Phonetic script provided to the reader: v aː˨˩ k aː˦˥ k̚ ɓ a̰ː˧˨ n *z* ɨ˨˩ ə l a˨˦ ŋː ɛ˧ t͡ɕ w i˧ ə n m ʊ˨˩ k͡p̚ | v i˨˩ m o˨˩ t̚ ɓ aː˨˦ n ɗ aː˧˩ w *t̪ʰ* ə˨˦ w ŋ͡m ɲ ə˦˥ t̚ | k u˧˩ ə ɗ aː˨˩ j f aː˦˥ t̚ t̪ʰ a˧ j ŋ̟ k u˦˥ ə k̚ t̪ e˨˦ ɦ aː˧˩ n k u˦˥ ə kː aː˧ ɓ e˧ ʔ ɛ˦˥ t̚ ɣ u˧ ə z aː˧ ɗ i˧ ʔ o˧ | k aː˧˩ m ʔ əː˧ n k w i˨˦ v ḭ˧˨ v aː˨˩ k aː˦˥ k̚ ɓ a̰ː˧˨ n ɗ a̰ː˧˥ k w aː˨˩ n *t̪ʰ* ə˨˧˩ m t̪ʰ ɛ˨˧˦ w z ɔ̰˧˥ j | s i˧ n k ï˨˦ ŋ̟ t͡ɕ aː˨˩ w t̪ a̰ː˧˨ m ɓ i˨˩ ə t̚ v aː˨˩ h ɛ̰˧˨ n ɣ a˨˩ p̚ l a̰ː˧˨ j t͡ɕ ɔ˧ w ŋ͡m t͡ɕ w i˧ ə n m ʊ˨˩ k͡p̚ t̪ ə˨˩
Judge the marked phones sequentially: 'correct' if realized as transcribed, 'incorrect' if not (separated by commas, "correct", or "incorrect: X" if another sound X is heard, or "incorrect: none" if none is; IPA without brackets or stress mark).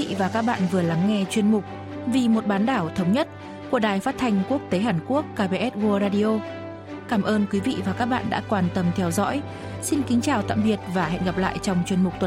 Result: incorrect: v, correct, incorrect: t̪